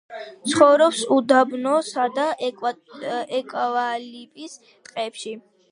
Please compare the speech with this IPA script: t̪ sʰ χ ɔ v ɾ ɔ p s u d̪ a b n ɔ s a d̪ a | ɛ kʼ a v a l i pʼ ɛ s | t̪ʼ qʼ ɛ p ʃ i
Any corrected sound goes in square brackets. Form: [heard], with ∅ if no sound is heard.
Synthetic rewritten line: t̪ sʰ χ ɔ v ɾ ɔ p s u d̪ a b n ɔ s a d̪ a | ɛ kʼ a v a l i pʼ [i] s | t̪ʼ qʼ ɛ p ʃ i